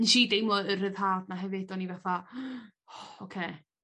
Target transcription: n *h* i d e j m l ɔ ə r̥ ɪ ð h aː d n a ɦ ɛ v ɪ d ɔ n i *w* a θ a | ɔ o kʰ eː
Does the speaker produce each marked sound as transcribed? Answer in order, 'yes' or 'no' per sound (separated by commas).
no, no